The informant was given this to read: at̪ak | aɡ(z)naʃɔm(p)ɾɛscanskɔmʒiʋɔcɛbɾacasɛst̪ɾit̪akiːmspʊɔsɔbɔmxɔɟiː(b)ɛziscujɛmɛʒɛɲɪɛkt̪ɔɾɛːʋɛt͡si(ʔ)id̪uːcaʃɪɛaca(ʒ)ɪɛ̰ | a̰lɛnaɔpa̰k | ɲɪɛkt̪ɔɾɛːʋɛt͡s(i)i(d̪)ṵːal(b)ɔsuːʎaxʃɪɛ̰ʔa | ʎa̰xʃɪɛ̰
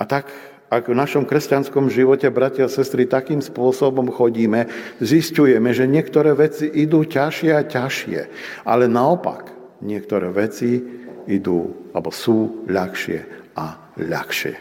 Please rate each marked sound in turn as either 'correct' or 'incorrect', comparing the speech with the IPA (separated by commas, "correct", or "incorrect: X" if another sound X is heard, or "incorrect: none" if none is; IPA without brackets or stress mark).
incorrect: v, incorrect: k, incorrect: m, correct, incorrect: ʃ, correct, correct, correct